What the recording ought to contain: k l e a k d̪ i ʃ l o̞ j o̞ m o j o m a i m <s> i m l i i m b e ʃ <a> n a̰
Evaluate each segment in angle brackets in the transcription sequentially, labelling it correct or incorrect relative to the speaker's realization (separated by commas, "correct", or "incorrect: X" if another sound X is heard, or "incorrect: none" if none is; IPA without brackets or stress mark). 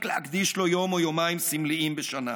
correct, correct